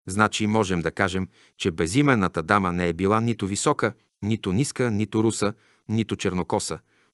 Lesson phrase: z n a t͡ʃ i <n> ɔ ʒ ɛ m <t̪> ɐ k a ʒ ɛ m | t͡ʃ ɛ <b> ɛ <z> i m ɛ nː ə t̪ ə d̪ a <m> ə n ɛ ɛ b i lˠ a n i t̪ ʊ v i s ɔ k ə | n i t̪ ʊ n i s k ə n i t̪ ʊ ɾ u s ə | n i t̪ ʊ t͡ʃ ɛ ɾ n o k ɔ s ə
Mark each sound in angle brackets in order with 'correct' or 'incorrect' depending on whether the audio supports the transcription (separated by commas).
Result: incorrect, incorrect, correct, correct, correct